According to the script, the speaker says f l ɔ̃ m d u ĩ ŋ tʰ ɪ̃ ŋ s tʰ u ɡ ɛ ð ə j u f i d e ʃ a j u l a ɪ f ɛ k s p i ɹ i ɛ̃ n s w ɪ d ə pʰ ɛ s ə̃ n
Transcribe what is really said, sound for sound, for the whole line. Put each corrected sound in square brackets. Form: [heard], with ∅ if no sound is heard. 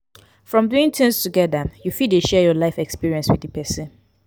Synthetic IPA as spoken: f [ɹ] ɔ̃ m d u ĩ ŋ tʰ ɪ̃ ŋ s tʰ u ɡ ɛ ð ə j u f i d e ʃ [ɛ] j [ɔ] l a ɪ f ɛ k s p i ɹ i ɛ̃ n s w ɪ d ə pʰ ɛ s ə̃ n